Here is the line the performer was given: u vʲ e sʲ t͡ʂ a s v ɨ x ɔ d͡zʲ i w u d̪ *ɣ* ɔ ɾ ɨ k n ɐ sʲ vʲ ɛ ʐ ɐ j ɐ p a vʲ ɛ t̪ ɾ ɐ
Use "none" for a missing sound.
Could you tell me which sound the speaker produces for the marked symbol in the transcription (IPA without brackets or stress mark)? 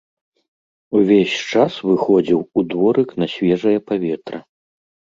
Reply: v